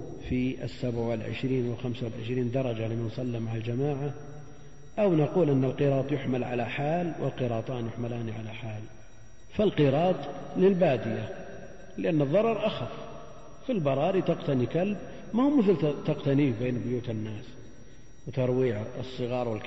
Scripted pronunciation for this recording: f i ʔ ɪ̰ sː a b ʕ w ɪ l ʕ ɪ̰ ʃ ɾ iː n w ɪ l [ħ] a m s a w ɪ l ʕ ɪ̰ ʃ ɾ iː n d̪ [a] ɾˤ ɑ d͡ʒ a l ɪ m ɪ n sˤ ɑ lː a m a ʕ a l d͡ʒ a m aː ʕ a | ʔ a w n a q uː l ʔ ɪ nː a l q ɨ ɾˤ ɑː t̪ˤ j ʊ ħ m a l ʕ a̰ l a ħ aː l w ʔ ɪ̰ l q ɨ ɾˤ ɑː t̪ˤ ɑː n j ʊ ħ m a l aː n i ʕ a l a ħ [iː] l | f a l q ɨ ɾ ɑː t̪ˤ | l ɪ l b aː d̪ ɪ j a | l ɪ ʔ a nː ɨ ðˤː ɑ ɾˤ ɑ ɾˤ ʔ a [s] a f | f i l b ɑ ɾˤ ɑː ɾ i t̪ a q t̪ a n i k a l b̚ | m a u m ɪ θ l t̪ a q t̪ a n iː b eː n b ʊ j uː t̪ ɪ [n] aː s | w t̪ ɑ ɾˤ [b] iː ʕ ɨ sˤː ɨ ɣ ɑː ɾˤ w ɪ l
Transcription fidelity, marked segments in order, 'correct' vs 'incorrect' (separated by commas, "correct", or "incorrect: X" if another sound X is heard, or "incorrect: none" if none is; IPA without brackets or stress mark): incorrect: x, incorrect: ɑ, incorrect: aː, incorrect: x, incorrect: nː, incorrect: w